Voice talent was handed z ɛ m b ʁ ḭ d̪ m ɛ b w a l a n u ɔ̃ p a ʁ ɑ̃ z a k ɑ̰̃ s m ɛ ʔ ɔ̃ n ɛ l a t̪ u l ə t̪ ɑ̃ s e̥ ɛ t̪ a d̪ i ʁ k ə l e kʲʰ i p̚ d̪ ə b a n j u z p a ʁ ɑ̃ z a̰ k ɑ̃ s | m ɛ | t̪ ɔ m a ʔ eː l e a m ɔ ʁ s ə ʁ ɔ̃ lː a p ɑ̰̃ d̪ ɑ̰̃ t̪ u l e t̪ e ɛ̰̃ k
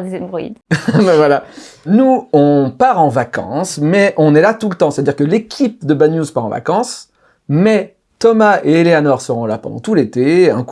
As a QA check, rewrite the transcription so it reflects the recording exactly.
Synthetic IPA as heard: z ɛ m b ʁ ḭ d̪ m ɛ v w a l a n u ɔ̃ p a ʁ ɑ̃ v a k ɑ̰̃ s m ɛ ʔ ɔ̃ n ɛ l a t̪ u l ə t̪ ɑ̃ s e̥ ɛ t̪ a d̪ i ʁ k ə l e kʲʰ i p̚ d̪ ə b a n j u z p a ʁ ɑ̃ v a̰ k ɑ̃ s | m ɛ | t̪ ɔ m a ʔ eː l e a n ɔ ʁ s ə ʁ ɔ̃ l a p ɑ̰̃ d̪ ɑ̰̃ t̪ u l e t̪ e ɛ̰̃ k